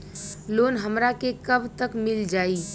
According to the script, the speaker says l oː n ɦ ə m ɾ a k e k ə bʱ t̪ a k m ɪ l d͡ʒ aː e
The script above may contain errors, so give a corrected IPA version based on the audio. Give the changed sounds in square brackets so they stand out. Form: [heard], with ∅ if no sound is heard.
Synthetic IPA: l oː n ɦ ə m ɾ a k e k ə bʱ t̪ [ə] k m ɪ l d͡ʒ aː [i]

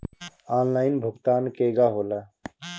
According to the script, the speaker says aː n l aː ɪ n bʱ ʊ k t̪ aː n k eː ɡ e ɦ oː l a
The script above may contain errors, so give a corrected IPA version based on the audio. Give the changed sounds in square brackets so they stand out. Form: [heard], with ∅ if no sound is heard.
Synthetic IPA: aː n l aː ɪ n bʱ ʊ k t̪ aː n k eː ɡ [a] ɦ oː l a

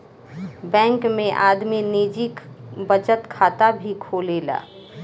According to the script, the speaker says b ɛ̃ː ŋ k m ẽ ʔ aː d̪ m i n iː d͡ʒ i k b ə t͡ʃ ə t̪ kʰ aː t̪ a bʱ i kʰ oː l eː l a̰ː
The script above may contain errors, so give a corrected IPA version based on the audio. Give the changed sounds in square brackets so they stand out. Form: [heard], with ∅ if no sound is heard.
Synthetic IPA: b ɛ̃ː ŋ k m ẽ ʔ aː d̪ m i n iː d͡ʒ i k b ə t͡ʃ ə t̪ kʰ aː t̪ a bʱ i kʰ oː l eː l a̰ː

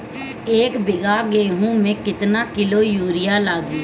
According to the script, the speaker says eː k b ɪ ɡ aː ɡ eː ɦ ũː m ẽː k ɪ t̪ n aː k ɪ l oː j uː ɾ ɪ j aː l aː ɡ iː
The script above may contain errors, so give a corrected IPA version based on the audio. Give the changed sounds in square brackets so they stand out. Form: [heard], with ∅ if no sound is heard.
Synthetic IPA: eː k b ɪ ɡ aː ɡ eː ɦ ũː m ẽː k ɪ t̪ n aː k ɪ l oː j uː ɾ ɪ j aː l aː ɡ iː

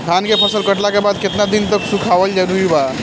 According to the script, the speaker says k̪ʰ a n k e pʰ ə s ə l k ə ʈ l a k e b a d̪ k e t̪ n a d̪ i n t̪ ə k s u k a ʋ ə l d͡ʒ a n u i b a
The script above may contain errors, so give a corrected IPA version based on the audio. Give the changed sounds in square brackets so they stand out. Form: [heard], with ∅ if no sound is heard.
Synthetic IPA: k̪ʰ a n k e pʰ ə s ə l k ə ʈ l a k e b a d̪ k e t̪ n a d̪ i n t̪ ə k s u [kʰ] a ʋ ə l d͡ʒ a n u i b a

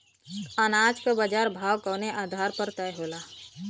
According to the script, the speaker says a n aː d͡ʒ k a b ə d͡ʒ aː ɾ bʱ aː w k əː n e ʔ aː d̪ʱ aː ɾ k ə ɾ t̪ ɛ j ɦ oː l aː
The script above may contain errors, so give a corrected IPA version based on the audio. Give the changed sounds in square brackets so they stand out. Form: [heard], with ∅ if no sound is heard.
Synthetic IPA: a n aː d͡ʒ k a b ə d͡ʒ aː ɾ bʱ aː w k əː n e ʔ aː d̪ʱ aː ɾ [p] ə ɾ t̪ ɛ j ɦ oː l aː

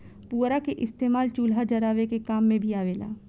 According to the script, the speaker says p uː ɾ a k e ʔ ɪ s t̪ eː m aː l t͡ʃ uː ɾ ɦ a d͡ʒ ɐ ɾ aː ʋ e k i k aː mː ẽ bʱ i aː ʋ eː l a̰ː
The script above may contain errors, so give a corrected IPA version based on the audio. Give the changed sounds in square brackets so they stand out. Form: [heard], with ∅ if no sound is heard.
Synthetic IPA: p uː ɾ a k e ʔ ɪ s t̪ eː m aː l t͡ʃ uː [l] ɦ a d͡ʒ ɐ ɾ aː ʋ e k [e] k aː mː ẽ bʱ i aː ʋ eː l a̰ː

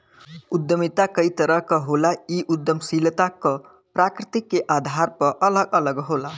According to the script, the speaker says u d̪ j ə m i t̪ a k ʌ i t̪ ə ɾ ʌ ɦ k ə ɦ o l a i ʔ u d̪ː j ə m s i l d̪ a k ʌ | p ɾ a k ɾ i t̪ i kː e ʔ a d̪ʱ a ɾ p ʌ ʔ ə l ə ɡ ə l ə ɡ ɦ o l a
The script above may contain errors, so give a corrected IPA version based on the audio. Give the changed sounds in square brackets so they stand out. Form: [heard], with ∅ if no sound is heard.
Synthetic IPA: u d̪ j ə m i t̪ a k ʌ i t̪ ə ɾ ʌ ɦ k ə ɦ o l a i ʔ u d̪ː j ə m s i l [t̪] a k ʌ | p ɾ a k ɾ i t̪ i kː e ʔ a d̪ʱ a ɾ p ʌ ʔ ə l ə ɡ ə l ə ɡ ɦ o l a

